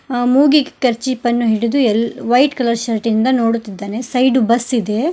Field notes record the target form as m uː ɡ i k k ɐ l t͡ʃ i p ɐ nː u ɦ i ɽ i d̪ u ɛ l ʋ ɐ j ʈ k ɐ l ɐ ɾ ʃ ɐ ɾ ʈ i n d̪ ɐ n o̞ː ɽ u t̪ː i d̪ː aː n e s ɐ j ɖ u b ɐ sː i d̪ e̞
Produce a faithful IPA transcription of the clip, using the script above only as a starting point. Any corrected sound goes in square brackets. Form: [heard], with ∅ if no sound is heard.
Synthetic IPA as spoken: m uː ɡ i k k ɐ [ɾ] t͡ʃ i p ɐ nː u ɦ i ɽ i d̪ u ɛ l ʋ ɐ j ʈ k ɐ l ɐ ɾ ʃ ɐ ɾ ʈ i n d̪ ɐ n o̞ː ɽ u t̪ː i d̪ː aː n e s ɐ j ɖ u b ɐ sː i d̪ e̞

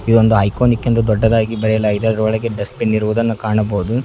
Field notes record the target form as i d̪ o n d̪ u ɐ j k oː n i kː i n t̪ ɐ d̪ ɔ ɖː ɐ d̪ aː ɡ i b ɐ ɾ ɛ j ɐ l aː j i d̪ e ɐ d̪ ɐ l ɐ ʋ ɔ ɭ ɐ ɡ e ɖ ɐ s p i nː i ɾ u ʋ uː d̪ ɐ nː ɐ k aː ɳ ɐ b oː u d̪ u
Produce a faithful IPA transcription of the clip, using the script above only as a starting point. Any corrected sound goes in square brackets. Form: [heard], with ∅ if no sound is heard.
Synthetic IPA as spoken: i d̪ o n d̪ u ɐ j k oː n i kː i n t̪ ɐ d̪ ɔ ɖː ɐ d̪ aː ɡ i b ɐ ɾ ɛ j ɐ l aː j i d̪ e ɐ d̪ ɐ [ɾ] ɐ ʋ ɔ ɭ ɐ ɡ e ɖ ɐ s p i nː i ɾ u ʋ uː d̪ ɐ nː ɐ k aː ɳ ɐ b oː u d̪ u

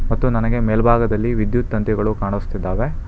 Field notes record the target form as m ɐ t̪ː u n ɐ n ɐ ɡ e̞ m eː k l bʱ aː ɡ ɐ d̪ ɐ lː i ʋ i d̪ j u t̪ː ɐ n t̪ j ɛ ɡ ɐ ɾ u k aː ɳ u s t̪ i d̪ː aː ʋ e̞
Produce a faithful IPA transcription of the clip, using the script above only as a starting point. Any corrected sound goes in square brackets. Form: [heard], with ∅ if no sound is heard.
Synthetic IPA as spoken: m ɐ t̪ː u n ɐ n ɐ ɡ e̞ m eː [∅] l bʱ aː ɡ ɐ d̪ ɐ lː i ʋ i d̪ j u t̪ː ɐ n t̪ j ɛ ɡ ɐ [ɭ] u k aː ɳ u s t̪ i d̪ː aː ʋ e̞

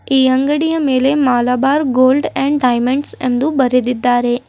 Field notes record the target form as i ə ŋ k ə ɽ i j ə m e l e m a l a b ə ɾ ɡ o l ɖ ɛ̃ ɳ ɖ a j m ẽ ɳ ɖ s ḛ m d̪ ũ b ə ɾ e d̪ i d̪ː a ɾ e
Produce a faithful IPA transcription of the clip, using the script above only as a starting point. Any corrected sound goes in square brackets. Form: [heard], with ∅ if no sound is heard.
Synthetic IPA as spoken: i ə ŋ [ɡ] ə ɽ i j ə m e l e m a l a b [a] ɾ ɡ o l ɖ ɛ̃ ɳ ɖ a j m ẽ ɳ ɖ s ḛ m d̪ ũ b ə ɾ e d̪ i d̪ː a ɾ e

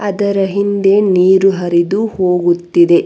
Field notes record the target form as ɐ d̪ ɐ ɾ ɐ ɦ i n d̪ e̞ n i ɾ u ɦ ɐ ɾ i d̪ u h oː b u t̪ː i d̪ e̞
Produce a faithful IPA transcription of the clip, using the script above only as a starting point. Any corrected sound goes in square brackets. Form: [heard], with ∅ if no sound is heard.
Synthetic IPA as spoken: ɐ d̪ ɐ ɾ ɐ ɦ i n d̪ e̞ n [iː] ɾ u ɦ ɐ ɾ i d̪ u h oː [ɡ] u t̪ː i d̪ e̞

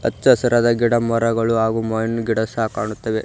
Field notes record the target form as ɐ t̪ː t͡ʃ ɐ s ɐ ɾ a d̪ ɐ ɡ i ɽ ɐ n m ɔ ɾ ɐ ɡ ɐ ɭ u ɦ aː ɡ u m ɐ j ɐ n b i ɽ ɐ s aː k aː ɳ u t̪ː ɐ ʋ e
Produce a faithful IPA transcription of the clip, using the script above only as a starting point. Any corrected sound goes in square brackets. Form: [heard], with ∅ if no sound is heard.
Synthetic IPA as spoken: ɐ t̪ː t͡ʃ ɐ s ɐ ɾ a d̪ ɐ ɡ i ɽ ɐ [∅] m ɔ ɾ ɐ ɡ ɐ ɭ u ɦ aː ɡ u m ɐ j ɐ n [ɡ] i ɽ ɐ s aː k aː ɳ u t̪ː ɐ ʋ e

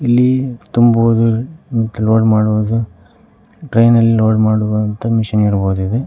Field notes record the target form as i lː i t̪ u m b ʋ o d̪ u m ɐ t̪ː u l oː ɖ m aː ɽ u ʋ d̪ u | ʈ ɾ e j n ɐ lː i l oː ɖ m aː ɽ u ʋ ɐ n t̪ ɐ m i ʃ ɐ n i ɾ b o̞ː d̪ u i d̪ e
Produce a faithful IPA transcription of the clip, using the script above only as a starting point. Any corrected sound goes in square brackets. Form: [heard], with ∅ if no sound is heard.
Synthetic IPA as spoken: i lː i t̪ u m b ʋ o d̪ u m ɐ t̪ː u l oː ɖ m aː ɽ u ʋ d̪ u | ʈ ɾ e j n ɐ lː i l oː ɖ m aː ɽ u ʋ ɐ n t̪ ɐ m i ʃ ɐ n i ɾ b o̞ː d̪ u i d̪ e

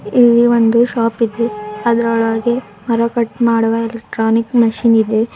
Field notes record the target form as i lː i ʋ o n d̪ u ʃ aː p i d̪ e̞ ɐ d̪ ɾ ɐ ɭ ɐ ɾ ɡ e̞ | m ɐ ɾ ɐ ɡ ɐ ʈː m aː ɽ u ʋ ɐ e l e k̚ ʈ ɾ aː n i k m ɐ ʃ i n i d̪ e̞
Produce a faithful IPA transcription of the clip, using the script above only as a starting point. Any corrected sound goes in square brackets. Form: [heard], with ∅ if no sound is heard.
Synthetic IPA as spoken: i lː i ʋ o n d̪ u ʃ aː p i d̪ e̞ ɐ d̪ ɾ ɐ ɭ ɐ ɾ ɡ e̞ | m ɐ ɾ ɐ [k] ɐ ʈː m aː ɽ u ʋ ɐ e l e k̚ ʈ ɾ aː n i k m ɐ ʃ i n i d̪ e̞

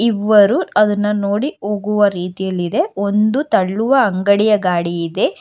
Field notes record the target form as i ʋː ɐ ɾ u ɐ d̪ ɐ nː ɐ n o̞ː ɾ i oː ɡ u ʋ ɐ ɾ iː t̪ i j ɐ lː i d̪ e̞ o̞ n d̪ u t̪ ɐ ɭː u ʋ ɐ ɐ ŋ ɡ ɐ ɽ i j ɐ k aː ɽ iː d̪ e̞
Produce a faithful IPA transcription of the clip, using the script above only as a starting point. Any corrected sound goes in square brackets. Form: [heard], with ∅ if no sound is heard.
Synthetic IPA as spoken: i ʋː ɐ ɾ u ɐ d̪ ɐ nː ɐ n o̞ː [ɽ] i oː ɡ u ʋ ɐ ɾ iː t̪ i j ɐ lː i d̪ e̞ o̞ n d̪ u t̪ ɐ ɭː u ʋ ɐ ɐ ŋ ɡ ɐ ɽ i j ɐ [ɡ] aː ɽ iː d̪ e̞

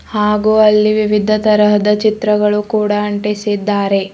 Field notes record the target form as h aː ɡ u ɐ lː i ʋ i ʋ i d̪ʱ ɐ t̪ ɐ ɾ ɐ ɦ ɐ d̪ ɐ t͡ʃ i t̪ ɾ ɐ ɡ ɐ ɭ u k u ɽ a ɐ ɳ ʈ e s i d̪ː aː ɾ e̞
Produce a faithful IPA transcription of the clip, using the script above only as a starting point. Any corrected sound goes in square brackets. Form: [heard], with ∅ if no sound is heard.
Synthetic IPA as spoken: h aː ɡ u ɐ lː i ʋ i ʋ i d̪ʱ ɐ t̪ ɐ ɾ ɐ ɦ ɐ d̪ ɐ t͡ʃ i t̪ ɾ ɐ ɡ ɐ ɭ u k [uː] ɽ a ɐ ɳ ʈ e s i d̪ː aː ɾ e̞

